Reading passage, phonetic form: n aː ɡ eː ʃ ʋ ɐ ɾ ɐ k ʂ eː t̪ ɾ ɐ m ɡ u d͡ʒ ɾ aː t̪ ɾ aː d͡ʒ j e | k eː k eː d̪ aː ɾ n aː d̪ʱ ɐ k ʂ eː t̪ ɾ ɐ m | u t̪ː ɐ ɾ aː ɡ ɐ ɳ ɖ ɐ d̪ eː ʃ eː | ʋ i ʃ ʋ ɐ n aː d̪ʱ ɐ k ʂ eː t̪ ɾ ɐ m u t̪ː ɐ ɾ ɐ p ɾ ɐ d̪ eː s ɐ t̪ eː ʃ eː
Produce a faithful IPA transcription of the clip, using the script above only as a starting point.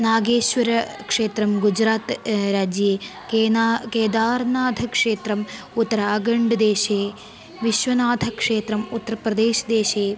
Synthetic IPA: n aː ɡ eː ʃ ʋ ɐ ɾ ɐ k ʂ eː t̪ ɾ ɐ m ɡ u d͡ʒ ɾ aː t̪ ɾ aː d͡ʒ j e | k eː k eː d̪ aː ɾ n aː d̪ʱ ɐ k ʂ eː t̪ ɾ ɐ m | u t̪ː ɐ ɾ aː ɡ ɐ ɳ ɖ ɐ d̪ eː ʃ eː | ʋ i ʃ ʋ ɐ n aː d̪ʱ ɐ k ʂ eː t̪ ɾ ɐ m u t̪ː ɐ ɾ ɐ p ɾ ɐ d̪ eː ʃ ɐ d̪ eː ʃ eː